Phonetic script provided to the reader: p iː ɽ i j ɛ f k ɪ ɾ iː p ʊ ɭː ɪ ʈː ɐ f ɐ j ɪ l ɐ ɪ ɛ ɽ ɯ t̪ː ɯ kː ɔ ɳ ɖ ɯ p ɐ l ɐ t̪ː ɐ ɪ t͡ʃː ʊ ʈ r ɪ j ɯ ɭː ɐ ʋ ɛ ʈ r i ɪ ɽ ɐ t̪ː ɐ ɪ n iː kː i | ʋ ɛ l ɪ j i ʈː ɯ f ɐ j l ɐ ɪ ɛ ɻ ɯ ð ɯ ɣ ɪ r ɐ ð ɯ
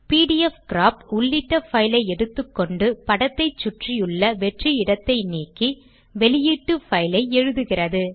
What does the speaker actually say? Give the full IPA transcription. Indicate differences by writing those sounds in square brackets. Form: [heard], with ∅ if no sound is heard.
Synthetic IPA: p iː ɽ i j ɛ f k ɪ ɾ [aː] p ʊ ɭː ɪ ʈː ɐ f ɐ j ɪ l ɐ ɪ ɛ ɽ ɯ t̪ː ɯ kː ɔ ɳ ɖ ɯ p ɐ [ɽ] ɐ t̪ː ɐ ɪ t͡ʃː ʊ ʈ r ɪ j ɯ ɭː ɐ ʋ ɛ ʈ r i ɪ ɽ ɐ t̪ː ɐ ɪ n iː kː i | ʋ ɛ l ɪ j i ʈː ɯ f ɐ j l ɐ ɪ ɛ ɻ ɯ ð ɯ ɣ ɪ r ɐ ð ɯ

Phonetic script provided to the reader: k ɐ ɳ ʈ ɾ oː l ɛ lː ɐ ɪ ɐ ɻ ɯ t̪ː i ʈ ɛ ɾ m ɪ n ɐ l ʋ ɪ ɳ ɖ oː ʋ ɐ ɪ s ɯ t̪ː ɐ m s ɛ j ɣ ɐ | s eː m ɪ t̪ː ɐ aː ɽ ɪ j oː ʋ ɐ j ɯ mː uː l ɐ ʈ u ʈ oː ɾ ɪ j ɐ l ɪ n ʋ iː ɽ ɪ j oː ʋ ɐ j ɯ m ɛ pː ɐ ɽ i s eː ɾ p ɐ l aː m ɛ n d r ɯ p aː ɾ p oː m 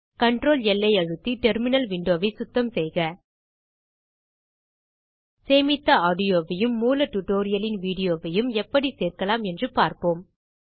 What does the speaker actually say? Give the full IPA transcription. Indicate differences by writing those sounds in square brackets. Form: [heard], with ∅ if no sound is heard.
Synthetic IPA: k ɐ ɳ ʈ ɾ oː l ɛ lː ɐ ɪ ɐ ɻ ɯ t̪ː i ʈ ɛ ɾ m ɪ n ɐ l ʋ ɪ ɳ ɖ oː ʋ ɐ ɪ s [ʊ] t̪ː ɐ m s ɛ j ɣ ɐ | s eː m ɪ t̪ː ɐ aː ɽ ɪ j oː ʋ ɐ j ɯ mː uː l ɐ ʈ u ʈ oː ɾ ɪ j ɐ l ɪ n ʋ iː ɽ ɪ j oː ʋ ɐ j ɯ m ɛ pː ɐ ɽ i s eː ɾ [k] ɐ l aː m ɛ n d r ɯ p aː ɾ p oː m

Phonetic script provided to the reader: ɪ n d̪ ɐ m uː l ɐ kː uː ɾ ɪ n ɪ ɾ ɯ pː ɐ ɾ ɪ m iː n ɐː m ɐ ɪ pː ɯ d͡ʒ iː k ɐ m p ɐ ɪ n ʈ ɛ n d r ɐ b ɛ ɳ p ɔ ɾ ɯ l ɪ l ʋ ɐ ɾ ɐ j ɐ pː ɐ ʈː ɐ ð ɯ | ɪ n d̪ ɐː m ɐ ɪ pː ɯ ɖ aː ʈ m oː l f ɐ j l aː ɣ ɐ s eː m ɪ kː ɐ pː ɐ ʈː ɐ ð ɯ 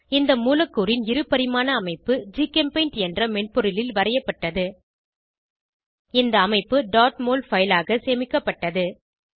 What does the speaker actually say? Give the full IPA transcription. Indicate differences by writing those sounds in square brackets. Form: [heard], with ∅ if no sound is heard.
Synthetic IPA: ɪ n d̪ ɐ m uː l ɐ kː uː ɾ ɪ n ɪ ɾ ɯ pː ɐ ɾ ɪ m [aː] n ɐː m ɐ ɪ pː ɯ d͡ʒ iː k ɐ m p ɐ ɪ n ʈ ɛ n d r ɐ [m] ɛ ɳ p ɔ ɾ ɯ l ɪ l ʋ ɐ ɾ ɐ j ɐ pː ɐ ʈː ɐ ð ɯ | ɪ n d̪ ɐː m ɐ ɪ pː ɯ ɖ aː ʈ m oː l f ɐ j l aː ɣ ɐ s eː m ɪ kː ɐ pː ɐ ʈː ɐ ð ɯ

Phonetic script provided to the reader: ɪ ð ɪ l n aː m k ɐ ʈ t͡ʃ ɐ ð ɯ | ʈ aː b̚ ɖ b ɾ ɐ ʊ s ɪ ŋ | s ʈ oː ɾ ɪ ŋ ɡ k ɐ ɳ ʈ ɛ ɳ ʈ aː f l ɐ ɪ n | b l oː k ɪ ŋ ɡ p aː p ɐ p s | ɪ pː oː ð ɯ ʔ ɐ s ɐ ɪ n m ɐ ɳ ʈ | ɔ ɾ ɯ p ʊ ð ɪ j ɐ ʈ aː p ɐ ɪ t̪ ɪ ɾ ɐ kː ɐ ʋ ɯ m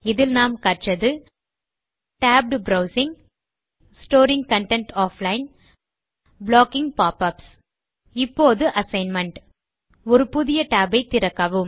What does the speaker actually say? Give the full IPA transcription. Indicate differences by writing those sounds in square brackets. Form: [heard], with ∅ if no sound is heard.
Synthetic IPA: ɪ ð ɪ l n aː m k ɐ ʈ t͡ʃ ɐ ð ɯ | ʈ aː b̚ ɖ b ɾ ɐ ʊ s ɪ ŋ | s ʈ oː ɾ ɪ ŋ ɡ k ɐ ɳ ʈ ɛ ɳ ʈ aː f l ɐ ɪ n | b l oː k ɪ ŋ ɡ p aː p ɐ p s | ɪ pː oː ð ɯ ʔ ɐ s ɐ ɪ n m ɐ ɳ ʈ | ɔ ɾ ɯ p ʊ ð ɪ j ɐ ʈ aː [b] ɐ ɪ t̪ ɪ ɾ ɐ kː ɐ ʋ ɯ m

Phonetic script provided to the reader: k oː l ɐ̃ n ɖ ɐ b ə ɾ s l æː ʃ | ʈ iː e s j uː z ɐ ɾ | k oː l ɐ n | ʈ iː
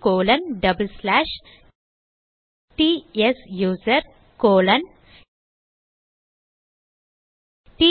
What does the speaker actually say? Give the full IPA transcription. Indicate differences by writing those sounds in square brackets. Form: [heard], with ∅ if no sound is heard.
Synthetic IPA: k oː l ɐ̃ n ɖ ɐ b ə [l] s l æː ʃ | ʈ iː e s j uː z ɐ ɾ | k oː l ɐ n | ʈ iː

